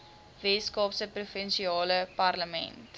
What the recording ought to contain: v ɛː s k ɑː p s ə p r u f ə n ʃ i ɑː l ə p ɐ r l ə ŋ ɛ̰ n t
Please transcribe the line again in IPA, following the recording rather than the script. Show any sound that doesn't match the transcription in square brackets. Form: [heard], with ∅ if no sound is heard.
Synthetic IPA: v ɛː s k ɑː p s ə p r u f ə n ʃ i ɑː l ə p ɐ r l ə [m] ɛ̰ n t